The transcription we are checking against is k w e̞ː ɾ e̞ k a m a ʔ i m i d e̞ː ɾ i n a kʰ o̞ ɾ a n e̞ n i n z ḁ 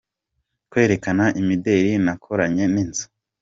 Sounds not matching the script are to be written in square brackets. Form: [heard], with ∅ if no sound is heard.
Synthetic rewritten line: k w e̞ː ɾ e̞ k a [n] a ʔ i m i d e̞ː ɾ i n a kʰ o̞ ɾ a [ɲ] e̞ n i n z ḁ